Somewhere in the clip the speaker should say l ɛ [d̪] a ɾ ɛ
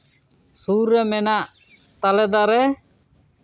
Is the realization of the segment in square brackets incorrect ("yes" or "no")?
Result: no